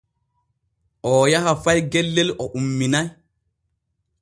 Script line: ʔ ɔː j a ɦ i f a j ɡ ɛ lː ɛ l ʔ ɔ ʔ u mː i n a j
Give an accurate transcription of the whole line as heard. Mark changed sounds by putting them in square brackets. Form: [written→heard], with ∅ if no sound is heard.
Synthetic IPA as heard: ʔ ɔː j a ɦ [i→a] f a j ɡ ɛ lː ɛ l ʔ ɔ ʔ u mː i n a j